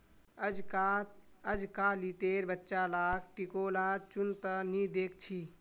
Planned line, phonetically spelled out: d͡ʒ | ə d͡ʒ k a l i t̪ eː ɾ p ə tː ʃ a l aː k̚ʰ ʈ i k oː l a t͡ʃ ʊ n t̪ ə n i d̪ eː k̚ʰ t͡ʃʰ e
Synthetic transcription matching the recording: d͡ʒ | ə d͡ʒ k a l i t̪ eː ɾ b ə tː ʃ a l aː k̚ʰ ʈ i k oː l a t͡ʃ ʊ n t̪ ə n i d̪ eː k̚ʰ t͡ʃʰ i